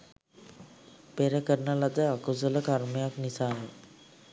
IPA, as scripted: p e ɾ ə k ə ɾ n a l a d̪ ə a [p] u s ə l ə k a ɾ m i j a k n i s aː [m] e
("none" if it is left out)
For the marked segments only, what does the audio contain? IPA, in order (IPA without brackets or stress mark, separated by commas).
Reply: k, n